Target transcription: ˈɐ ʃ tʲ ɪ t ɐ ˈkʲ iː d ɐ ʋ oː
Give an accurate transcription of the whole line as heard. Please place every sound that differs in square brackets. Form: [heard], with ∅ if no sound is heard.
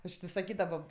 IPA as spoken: ˈɐ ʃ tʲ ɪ [s] ɐ ˈkʲ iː d ɐ ʋ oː